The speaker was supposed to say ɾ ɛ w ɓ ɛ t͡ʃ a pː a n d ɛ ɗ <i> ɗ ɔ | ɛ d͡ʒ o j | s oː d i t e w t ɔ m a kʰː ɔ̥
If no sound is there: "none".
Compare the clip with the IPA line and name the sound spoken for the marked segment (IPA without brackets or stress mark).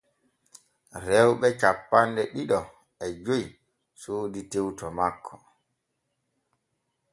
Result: i